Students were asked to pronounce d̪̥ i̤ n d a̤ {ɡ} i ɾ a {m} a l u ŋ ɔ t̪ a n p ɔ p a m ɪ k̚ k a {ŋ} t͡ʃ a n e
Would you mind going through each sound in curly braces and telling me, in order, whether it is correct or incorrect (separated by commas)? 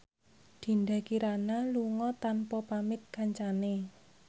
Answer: incorrect, incorrect, incorrect